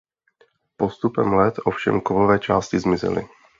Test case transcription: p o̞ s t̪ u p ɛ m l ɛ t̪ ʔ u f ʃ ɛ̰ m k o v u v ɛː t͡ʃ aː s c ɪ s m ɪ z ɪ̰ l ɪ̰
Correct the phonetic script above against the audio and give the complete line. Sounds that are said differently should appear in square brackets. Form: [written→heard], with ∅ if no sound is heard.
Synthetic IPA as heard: p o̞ s t̪ u p ɛ m l ɛ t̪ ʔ [u→o] f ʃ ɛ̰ m k o v [u→o] v ɛː t͡ʃ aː s c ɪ [s→z] m ɪ z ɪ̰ l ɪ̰